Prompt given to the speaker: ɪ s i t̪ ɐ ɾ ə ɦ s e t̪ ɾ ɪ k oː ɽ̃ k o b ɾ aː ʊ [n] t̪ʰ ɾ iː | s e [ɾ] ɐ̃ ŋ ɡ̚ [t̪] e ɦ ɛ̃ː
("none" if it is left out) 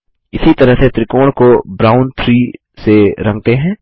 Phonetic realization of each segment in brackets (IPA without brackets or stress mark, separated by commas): n, ɾ, t̪